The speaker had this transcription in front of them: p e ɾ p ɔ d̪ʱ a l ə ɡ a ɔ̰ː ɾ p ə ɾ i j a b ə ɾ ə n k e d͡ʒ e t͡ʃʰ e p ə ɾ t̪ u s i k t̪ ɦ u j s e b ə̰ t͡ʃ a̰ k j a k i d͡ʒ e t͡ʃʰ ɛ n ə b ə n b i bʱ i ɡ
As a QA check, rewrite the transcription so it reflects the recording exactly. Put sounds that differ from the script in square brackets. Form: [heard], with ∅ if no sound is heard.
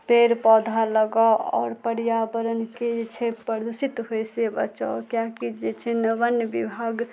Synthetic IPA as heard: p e ɾ p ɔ d̪ʱ a l ə ɡ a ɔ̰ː ɾ p ə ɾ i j a b ə ɾ ə n k e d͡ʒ e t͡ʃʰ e p ə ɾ [d̪] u s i [∅] t̪ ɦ [o] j s e b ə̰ t͡ʃ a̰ k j a k i d͡ʒ e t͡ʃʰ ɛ n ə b ə n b i bʱ [a] ɡ